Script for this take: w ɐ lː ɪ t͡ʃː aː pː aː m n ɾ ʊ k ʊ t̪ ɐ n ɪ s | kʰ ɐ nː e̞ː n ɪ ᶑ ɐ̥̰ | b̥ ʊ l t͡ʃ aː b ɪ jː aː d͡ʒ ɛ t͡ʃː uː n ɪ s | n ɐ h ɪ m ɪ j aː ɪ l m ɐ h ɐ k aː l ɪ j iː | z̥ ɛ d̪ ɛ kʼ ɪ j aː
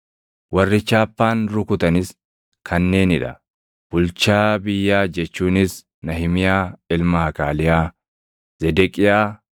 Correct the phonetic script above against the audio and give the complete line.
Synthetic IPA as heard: w ɐ rː ɪ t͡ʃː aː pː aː n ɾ ʊ k ʊ t̪ ɐ n ɪ s | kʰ ɐ nː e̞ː n ɪ ᶑ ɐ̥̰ | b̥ ʊ l t͡ʃ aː b ɪ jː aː d͡ʒ ɛ t͡ʃː uː n ɪ s | n ɐ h ɪ m ɪ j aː ɪ l m ɐ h ɐ k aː l ɪ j aː | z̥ ɛ d̪ ɛ kʼ ɪ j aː